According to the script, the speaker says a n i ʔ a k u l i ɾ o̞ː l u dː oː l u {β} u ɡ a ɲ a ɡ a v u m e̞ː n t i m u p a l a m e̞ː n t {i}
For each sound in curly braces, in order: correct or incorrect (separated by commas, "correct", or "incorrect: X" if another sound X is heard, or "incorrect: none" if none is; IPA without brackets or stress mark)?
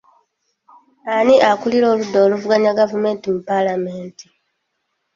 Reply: incorrect: v, correct